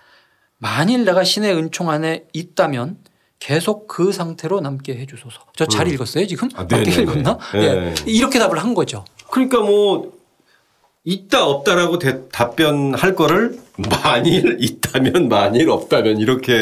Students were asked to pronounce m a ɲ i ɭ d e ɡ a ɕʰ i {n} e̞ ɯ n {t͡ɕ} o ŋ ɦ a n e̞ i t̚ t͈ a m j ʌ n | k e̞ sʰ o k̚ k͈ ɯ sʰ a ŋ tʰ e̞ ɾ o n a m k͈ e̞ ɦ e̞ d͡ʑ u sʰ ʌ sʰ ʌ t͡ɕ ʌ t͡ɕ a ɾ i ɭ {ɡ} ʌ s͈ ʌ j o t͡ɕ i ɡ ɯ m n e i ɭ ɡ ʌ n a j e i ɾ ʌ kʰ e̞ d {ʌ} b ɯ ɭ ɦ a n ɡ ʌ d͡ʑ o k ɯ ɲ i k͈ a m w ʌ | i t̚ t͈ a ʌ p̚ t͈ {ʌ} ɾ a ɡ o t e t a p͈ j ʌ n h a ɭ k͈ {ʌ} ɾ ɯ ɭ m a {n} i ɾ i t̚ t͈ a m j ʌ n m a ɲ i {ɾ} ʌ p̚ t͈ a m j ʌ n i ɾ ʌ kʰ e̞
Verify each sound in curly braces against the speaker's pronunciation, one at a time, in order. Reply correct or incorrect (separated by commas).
correct, incorrect, correct, incorrect, incorrect, correct, incorrect, correct